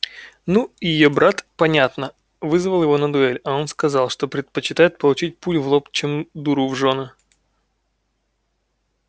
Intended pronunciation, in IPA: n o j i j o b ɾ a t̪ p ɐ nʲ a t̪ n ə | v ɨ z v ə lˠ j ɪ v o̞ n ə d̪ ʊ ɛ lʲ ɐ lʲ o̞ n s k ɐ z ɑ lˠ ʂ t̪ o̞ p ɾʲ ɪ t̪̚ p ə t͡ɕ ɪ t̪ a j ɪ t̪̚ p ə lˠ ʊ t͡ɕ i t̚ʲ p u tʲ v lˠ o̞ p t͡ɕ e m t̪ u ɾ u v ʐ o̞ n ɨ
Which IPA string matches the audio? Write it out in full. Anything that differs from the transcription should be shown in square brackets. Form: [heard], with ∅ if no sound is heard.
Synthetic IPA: n [u] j [ɪ] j o b ɾ a t̪ p ɐ nʲ a t̪ n ə | v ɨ z v ə lˠ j ɪ v o̞ n ə d̪ ʊ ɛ lʲ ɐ [∅] o̞ n s k ɐ z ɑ lˠ ʂ t̪ o̞ p ɾʲ ɪ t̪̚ p ə t͡ɕ ɪ t̪ a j ɪ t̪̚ p ə lˠ ʊ t͡ɕ i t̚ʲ p u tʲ v lˠ o̞ p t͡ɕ e m [d̪] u ɾ u v ʐ o̞ n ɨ